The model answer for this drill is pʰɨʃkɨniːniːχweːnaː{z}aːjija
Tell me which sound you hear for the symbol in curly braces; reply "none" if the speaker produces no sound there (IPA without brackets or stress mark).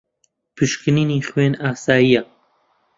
s